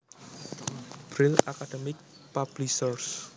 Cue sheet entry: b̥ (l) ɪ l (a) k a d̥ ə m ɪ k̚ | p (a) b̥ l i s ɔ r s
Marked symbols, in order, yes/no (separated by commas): no, yes, yes